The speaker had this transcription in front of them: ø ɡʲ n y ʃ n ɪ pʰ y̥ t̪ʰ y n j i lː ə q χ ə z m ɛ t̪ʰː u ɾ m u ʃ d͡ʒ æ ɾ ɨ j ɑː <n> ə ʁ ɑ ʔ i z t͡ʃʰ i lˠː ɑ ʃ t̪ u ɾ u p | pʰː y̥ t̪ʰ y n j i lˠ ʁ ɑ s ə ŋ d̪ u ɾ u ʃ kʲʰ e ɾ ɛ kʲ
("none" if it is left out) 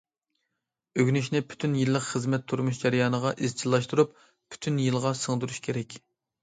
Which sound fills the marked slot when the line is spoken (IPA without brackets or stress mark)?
n